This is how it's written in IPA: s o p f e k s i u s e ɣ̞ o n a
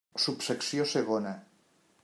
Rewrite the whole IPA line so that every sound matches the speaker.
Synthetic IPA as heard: s u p s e k s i o s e ɣ̞ o n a